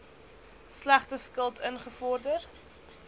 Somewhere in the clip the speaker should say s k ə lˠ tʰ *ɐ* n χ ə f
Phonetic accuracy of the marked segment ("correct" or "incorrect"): incorrect